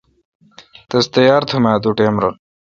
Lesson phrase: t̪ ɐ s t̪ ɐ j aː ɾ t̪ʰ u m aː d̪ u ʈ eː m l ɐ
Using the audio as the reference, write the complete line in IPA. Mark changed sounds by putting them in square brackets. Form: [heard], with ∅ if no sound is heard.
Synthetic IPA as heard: t̪ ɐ s t̪ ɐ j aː ɾ t̪ʰ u m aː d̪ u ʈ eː m [ɾ] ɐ